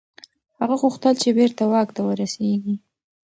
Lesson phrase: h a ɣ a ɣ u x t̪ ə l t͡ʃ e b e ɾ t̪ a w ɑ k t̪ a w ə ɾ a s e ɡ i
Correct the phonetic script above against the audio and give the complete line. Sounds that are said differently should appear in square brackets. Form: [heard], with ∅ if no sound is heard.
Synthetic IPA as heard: h a ɣ a ɣ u x t̪ ə l t͡ʃ e b e ɾ t̪ a w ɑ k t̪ a w ə ɾ a s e ɡ i